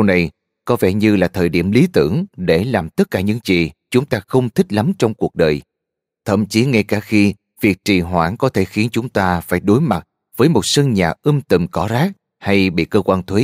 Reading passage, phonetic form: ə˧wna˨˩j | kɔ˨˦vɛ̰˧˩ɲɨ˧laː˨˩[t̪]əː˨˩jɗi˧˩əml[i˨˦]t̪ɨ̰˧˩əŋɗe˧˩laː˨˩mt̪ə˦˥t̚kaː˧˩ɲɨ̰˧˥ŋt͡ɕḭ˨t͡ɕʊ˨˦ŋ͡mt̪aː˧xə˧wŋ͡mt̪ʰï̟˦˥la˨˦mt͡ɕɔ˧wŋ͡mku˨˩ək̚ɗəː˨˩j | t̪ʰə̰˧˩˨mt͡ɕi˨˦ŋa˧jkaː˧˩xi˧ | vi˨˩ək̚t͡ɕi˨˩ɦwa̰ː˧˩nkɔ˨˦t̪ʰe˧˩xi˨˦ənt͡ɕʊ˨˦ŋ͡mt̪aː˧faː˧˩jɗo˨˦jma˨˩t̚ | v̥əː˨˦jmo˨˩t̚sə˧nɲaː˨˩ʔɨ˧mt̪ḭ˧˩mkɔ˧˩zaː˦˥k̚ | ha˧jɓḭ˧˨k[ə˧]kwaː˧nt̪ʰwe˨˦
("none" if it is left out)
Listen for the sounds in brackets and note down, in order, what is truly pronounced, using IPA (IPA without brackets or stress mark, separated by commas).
t̪ʰ, i˨˦, əː˧